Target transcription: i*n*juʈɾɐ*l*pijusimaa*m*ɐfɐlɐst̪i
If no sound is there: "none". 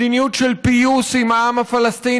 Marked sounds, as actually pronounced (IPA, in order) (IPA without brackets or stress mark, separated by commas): n, l, m